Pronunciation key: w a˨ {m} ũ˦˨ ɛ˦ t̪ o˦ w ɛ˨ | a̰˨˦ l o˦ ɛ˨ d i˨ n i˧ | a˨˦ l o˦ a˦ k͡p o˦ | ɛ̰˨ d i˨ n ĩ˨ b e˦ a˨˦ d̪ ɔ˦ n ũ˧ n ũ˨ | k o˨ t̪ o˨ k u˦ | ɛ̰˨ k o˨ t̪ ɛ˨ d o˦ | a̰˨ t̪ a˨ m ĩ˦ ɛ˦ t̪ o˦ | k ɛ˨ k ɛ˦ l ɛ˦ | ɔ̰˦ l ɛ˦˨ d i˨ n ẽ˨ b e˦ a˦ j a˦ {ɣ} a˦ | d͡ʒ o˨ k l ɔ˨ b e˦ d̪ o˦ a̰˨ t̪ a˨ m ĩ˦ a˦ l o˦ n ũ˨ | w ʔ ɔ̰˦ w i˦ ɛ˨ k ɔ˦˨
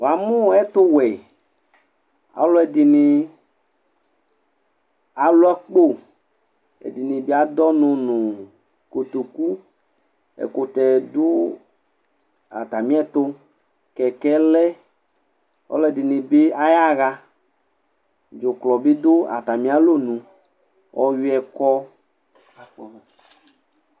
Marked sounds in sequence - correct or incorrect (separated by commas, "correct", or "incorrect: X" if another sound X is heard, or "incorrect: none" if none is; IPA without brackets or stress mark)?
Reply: correct, correct